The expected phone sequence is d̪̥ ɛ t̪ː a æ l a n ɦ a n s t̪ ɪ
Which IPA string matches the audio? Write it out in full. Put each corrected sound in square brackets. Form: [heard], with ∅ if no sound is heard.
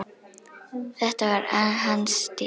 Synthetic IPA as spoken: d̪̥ ɛ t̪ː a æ [ɾ] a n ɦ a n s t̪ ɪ